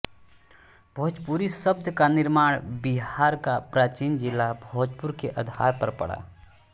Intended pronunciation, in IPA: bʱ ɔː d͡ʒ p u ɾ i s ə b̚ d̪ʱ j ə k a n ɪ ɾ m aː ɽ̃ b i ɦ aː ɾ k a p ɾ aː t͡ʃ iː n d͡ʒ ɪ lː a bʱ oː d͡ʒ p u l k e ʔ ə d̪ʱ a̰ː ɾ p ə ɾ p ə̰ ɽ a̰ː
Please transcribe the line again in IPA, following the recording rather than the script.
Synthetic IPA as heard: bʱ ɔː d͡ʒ p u ɾ i s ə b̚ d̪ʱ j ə k a n ɪ ɾ m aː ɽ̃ b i ɦ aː ɾ k a p ɾ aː t͡ʃ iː n d͡ʒ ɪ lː a bʱ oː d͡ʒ p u ɾ k e ʔ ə d̪ʱ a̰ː ɾ p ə ɾ p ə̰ ɽ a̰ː